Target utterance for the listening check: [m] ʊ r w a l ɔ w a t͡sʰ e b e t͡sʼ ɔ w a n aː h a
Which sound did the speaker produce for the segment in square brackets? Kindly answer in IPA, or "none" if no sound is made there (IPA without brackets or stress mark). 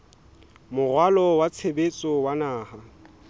m